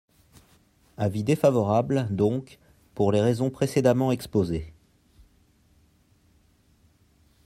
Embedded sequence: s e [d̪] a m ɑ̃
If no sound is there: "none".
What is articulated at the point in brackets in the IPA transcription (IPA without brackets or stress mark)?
d̪